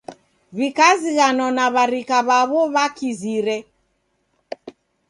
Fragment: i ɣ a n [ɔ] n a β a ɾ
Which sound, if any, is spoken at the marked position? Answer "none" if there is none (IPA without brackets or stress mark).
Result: ɔ